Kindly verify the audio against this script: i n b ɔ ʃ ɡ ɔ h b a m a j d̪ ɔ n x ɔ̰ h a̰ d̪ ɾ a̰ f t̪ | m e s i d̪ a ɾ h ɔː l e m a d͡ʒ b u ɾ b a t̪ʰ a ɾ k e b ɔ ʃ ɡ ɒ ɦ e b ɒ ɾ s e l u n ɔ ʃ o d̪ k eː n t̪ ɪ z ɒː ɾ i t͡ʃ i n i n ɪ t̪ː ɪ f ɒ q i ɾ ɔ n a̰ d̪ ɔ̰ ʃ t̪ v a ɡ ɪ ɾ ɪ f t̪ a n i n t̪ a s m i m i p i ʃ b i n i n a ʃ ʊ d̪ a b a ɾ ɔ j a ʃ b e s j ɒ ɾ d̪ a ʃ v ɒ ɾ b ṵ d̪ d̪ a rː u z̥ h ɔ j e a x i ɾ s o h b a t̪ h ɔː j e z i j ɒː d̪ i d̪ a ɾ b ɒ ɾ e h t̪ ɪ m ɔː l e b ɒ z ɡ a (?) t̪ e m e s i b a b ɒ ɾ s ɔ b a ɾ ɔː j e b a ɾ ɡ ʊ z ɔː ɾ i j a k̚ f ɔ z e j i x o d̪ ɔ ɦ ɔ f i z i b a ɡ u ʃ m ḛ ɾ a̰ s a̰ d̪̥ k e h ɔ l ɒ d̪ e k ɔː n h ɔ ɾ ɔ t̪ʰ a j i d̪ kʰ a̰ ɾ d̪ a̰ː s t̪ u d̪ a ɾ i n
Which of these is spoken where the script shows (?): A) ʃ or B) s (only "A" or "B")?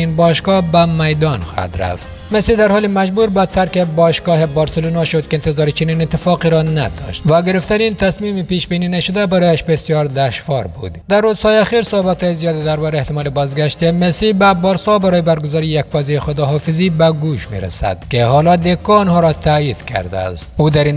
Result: A